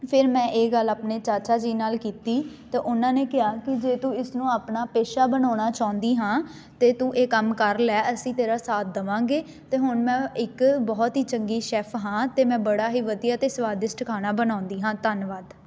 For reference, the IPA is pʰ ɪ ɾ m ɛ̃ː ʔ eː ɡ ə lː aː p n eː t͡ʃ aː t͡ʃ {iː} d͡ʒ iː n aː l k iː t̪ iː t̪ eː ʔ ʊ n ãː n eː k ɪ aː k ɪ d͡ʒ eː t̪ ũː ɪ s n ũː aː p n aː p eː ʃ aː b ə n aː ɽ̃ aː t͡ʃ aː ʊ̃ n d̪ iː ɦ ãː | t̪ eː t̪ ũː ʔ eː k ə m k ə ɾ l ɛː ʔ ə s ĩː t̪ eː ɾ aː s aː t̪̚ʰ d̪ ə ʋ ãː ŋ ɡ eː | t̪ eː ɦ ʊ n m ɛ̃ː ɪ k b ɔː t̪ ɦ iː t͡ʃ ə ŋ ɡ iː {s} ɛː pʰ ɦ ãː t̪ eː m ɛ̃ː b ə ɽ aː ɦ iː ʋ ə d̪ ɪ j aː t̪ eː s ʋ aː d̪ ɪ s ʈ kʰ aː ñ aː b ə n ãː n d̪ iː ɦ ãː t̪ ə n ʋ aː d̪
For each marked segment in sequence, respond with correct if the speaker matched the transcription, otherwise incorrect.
incorrect: aː, incorrect: ʃ

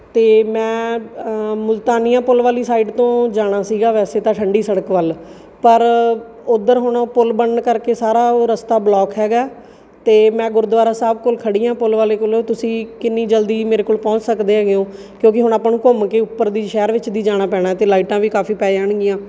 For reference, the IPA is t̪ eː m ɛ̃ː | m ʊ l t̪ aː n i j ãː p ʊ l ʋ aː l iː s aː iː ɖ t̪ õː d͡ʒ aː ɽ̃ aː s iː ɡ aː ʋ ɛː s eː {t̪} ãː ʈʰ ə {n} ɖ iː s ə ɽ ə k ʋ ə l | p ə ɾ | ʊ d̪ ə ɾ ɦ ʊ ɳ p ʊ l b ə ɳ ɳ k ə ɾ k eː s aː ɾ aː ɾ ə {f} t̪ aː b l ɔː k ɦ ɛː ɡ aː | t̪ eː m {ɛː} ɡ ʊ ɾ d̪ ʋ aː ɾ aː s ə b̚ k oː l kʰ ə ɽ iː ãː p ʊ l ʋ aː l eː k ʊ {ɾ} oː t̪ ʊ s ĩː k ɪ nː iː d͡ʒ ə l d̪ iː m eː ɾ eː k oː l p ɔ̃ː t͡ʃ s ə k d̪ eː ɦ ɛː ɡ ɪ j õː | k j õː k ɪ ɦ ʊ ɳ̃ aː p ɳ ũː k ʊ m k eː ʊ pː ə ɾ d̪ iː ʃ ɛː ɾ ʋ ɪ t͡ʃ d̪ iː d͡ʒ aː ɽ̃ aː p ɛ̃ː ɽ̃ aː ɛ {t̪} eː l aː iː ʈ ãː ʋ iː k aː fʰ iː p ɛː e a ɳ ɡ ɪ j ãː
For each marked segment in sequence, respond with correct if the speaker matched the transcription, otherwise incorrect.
correct, incorrect: ɳ, incorrect: s, incorrect: ɛ̃ː, incorrect: l, correct

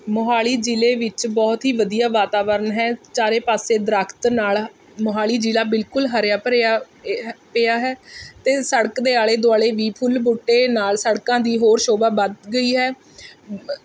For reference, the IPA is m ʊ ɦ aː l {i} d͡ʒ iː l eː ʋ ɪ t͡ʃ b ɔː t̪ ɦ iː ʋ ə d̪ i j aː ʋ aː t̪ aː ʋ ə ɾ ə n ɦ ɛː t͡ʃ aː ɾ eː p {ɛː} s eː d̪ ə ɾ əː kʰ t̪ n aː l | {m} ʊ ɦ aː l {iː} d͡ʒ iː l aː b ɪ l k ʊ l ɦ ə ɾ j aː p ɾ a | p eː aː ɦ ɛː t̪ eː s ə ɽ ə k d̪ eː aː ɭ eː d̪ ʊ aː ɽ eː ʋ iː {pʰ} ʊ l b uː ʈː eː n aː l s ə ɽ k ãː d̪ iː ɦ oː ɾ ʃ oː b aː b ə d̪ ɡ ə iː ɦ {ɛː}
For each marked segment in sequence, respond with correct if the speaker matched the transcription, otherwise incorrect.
incorrect: iː, incorrect: aː, correct, correct, correct, correct

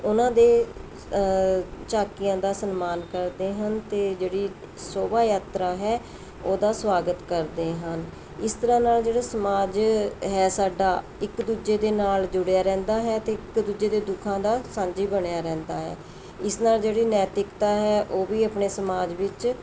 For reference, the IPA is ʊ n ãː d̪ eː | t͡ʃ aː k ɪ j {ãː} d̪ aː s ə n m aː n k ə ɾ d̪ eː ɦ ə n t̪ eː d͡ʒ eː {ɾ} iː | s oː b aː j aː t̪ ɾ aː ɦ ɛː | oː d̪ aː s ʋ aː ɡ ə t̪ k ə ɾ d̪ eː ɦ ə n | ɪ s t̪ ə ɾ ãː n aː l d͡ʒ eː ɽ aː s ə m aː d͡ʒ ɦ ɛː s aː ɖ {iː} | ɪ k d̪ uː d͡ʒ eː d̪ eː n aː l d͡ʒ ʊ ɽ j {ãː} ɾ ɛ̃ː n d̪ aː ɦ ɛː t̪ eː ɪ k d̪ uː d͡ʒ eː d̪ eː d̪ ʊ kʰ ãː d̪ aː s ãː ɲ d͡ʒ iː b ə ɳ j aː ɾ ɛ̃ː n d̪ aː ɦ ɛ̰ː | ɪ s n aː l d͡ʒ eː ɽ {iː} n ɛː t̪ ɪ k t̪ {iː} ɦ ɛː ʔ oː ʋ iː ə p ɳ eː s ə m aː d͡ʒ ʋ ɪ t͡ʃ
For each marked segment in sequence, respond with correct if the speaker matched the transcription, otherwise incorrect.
correct, incorrect: ɽ, incorrect: aː, incorrect: aː, correct, incorrect: aː

